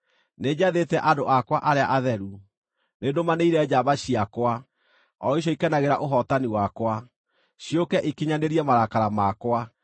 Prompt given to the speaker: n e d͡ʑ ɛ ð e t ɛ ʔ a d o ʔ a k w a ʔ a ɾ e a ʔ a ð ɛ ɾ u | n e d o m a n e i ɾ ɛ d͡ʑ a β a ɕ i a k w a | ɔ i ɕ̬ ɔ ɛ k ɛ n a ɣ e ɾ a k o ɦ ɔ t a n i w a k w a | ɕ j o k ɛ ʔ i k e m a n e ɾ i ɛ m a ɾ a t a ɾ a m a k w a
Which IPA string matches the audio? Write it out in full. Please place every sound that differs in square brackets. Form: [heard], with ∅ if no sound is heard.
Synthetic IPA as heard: n e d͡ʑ [a] ð e t ɛ ʔ a d o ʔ a k w a ʔ a ɾ e a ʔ a ð ɛ ɾ u | n e d o m a n e i ɾ ɛ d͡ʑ a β a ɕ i a k w a | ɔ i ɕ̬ ɔ [i] k ɛ n a ɣ e ɾ a [ʔ] o ɦ ɔ t a n i w a k w a | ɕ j o k ɛ ʔ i k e [ɲ] a n e ɾ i ɛ m a ɾ a [k] a ɾ a m a k w a